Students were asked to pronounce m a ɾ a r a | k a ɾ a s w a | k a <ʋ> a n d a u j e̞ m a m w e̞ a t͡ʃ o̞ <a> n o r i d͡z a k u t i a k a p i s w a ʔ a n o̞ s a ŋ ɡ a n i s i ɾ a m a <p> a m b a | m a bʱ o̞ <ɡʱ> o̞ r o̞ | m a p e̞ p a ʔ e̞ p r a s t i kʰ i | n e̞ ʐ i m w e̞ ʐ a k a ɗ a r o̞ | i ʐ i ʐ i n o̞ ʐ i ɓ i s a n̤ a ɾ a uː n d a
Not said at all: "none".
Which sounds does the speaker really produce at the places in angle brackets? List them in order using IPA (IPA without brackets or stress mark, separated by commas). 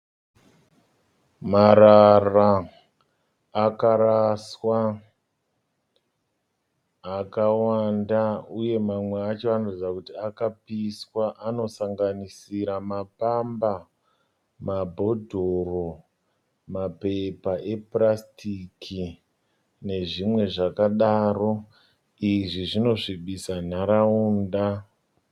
w, a, p, dʱ